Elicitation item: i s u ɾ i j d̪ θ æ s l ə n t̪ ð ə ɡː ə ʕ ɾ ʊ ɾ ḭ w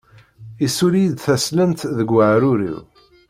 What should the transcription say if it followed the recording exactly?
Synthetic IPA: i s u ɾ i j d̪ θ æ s l ə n t̪ ð ə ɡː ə ʕ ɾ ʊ ɾ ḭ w